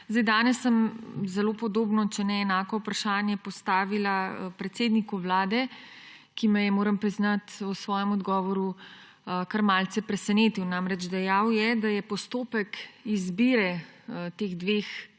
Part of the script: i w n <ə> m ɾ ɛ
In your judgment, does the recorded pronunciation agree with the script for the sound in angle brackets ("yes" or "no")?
no